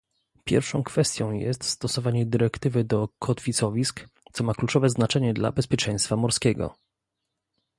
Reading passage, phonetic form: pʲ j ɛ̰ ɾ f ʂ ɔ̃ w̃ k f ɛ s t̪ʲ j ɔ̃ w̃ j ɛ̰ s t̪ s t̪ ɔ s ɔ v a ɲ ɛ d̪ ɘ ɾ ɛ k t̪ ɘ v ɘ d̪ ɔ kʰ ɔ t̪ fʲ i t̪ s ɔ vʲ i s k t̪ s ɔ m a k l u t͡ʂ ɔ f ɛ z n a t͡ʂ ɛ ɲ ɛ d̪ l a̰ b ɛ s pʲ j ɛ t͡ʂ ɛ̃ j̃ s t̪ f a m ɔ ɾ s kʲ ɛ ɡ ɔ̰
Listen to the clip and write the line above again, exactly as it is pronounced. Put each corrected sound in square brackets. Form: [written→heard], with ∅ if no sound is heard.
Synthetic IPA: pʲ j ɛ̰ ɾ f ʂ ɔ̃ w̃ k f ɛ s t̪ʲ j ɔ̃ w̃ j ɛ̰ s t̪ s t̪ ɔ s ɔ v a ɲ ɛ d̪ ɘ ɾ ɛ k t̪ ɘ v ɘ d̪ ɔ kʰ ɔ t̪ fʲ i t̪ s ɔ vʲ i s k t̪ s ɔ m a k l u t͡ʂ ɔ [f→v] ɛ z n a t͡ʂ ɛ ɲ ɛ d̪ l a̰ b ɛ s pʲ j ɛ t͡ʂ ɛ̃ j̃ s t̪ f a m ɔ ɾ s kʲ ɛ ɡ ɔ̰